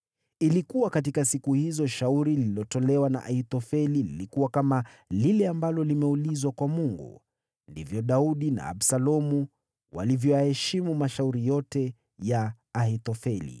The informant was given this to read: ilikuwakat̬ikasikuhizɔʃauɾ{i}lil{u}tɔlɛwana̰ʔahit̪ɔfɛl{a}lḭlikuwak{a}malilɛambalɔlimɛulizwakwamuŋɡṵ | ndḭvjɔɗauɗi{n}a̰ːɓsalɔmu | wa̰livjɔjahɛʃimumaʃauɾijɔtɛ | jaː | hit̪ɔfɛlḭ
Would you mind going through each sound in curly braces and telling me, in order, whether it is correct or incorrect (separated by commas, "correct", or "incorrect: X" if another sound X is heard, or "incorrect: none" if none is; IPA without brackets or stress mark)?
correct, incorrect: ɔ, incorrect: i, correct, correct